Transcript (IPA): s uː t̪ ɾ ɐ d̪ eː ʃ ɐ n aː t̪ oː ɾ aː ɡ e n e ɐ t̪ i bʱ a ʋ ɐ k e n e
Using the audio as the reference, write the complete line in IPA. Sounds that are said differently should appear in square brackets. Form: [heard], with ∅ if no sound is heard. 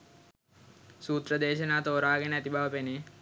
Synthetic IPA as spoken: s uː t̪ ɾ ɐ d̪ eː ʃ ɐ n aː t̪ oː ɾ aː ɡ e n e ɐ t̪ i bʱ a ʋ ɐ [p] e n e